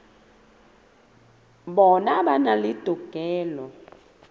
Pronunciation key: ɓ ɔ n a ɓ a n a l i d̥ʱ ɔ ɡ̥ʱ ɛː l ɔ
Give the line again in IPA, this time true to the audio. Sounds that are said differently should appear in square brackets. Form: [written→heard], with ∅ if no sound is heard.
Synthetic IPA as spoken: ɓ ɔ n a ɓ a n a l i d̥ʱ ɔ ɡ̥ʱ ɛː l ɔ

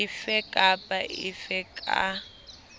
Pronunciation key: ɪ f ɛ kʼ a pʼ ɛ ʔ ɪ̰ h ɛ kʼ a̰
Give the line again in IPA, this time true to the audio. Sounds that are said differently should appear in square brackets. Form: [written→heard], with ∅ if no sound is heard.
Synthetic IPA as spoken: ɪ f ɛ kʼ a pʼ [ɛ→a] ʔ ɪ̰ [h→f] ɛ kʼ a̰

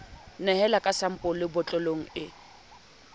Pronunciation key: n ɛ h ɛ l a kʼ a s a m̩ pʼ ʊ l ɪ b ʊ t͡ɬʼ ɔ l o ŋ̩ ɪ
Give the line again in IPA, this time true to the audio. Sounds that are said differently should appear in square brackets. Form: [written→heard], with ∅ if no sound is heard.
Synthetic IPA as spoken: n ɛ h ɛ l a kʼ a s a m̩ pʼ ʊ l ɪ b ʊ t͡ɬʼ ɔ l o ŋ̩ ɪ

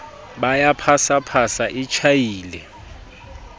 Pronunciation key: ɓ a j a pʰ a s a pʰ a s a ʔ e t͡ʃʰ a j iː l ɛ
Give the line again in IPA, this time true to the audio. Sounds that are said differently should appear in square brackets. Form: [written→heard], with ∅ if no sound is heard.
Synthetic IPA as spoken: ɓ a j a pʰ a s a pʰ a s a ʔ [e→i] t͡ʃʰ a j iː l ɛ

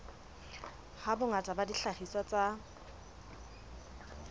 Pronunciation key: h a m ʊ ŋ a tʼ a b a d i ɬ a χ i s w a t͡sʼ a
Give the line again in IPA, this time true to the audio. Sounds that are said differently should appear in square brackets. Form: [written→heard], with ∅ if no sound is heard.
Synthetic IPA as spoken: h a [m→b] ʊ ŋ a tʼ a b a d i ɬ a χ i s w a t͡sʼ a

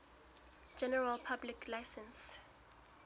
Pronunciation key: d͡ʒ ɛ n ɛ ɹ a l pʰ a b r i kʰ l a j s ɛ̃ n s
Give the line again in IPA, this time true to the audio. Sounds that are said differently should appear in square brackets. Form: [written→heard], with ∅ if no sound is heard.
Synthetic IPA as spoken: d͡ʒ ɛ n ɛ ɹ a l pʰ a b [r→l] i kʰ l a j s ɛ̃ n s

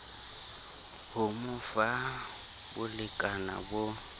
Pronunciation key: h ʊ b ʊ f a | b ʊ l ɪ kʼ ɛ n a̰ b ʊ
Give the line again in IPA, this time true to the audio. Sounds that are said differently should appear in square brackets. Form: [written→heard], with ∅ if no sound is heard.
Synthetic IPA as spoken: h ʊ [b→m] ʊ f a | b ʊ l ɪ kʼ [ɛ→a] n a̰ b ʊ

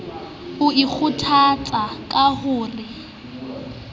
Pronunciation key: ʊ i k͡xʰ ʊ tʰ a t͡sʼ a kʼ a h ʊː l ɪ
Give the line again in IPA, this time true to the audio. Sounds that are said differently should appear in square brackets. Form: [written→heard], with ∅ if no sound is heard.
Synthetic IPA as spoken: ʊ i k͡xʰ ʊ tʰ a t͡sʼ a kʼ a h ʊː [l→r] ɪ

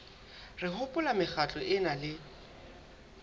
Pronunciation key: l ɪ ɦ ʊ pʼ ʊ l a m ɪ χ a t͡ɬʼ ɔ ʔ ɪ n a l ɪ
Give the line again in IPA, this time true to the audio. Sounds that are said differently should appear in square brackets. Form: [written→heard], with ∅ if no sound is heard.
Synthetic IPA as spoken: [l→r] ɪ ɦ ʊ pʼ ʊ l a m ɪ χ a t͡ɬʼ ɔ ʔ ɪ n a l ɪ

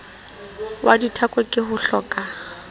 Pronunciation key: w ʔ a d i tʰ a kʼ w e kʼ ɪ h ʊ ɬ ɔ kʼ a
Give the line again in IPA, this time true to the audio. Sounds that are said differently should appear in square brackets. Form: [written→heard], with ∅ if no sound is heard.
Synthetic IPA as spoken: w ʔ a d i tʰ a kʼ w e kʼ ɪ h ʊ ɬ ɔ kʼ a

